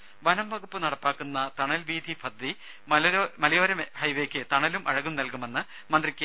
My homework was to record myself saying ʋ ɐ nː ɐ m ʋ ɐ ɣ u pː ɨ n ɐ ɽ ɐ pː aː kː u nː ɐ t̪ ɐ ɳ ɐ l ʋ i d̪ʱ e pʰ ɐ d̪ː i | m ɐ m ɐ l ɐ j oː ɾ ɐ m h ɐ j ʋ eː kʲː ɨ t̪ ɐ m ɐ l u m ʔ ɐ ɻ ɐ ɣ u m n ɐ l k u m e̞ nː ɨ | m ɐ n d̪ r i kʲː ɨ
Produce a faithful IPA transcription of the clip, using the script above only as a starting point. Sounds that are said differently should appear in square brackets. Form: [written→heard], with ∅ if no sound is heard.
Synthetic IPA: ʋ ɐ [nː→n] ɐ m ʋ ɐ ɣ u pː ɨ n ɐ ɽ ɐ pː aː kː u nː ɐ t̪ ɐ ɳ ɐ l ʋ [i→iː] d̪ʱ [e→i] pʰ ɐ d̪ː i | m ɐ m ɐ l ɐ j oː ɾ ɐ m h ɐ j ʋ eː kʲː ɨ t̪ ɐ [m→ɳ] ɐ l u m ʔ ɐ ɻ ɐ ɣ u m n ɐ l k u m e̞ nː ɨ | m ɐ n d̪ r i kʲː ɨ